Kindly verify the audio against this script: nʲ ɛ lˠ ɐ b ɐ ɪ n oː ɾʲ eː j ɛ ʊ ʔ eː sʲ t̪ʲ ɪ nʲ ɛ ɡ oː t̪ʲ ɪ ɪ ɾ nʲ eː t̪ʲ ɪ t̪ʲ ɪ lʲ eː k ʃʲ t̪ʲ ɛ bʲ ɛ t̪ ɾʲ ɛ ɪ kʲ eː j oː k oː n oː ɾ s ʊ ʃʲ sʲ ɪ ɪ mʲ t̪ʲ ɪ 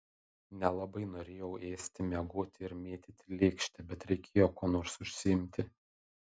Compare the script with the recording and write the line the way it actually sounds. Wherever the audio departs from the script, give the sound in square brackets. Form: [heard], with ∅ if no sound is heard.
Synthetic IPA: nʲ ɛ lˠ ɐ b ɐ ɪ n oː ɾʲ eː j ɛ ʊ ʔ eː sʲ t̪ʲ ɪ [mʲ] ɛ ɡ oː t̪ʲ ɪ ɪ ɾ [mʲ] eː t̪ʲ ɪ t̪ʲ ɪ lʲ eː k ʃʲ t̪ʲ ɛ bʲ ɛ t̪ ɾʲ ɛ ɪ kʲ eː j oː k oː n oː ɾ s ʊ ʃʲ sʲ ɪ ɪ mʲ t̪ʲ ɪ